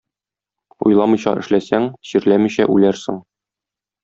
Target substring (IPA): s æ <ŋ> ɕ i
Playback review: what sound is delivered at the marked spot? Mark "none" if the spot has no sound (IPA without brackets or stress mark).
ŋ